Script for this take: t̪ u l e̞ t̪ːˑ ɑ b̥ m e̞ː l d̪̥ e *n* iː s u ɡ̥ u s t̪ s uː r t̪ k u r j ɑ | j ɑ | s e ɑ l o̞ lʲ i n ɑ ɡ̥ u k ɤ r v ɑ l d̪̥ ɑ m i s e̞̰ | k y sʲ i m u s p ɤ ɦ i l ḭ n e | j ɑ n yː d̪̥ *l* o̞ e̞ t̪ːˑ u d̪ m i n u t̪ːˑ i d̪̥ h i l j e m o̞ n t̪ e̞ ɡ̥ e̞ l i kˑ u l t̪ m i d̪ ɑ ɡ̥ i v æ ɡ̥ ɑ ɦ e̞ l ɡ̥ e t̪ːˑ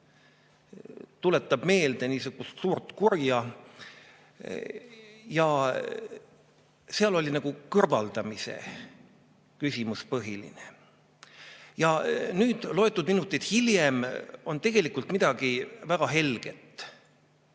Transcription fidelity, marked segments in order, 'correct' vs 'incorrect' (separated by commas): correct, correct